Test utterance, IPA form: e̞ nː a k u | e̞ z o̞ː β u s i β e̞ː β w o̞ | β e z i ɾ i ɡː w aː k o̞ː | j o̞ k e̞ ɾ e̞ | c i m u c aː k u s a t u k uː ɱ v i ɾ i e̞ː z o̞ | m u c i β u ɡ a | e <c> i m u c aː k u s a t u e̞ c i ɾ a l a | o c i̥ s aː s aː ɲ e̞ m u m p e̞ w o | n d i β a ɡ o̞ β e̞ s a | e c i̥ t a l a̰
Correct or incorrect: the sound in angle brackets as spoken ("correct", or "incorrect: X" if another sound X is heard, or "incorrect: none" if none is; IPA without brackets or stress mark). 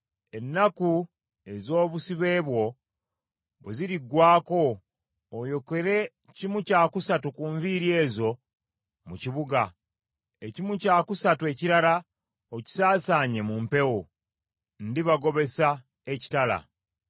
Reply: correct